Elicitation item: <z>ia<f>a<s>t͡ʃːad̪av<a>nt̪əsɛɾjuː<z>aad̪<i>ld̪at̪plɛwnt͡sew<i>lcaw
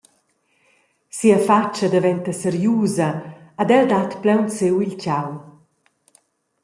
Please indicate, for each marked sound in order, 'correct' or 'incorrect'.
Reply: incorrect, correct, incorrect, incorrect, correct, incorrect, correct

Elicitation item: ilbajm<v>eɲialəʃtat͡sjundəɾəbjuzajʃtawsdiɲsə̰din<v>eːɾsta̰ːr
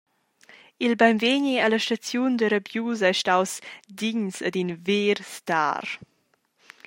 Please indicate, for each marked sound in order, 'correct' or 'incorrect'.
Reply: correct, correct

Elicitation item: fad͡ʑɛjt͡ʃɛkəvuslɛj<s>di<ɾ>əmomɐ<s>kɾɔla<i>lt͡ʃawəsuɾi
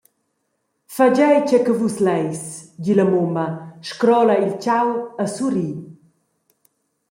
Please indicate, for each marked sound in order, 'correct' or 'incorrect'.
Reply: correct, incorrect, incorrect, correct

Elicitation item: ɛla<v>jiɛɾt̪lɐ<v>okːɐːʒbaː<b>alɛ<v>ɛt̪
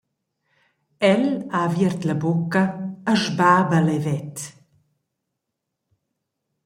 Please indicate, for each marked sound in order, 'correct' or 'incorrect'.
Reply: correct, incorrect, correct, correct

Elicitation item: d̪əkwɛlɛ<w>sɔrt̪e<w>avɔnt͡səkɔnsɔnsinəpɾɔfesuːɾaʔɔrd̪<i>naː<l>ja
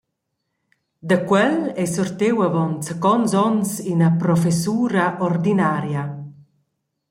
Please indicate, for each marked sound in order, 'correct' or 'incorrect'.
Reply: incorrect, correct, correct, incorrect

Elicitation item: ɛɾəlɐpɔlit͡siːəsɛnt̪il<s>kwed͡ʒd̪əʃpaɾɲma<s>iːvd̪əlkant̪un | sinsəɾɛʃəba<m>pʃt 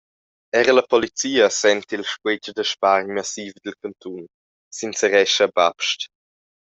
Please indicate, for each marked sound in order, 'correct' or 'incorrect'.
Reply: incorrect, correct, incorrect

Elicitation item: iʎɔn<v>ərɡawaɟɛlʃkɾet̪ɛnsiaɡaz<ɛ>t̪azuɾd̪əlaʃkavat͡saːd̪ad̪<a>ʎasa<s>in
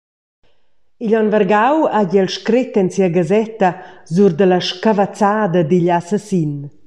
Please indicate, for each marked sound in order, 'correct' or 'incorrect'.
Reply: correct, correct, incorrect, correct

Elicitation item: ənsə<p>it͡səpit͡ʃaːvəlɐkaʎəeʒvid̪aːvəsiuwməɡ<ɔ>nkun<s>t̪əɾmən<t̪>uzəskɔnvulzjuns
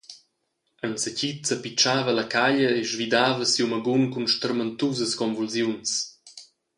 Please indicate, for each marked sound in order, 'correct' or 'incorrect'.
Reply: incorrect, incorrect, incorrect, correct

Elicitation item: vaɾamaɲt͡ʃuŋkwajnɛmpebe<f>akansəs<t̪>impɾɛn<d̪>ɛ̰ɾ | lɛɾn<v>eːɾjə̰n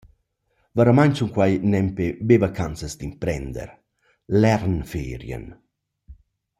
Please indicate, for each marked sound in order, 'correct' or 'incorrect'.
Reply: incorrect, incorrect, correct, incorrect

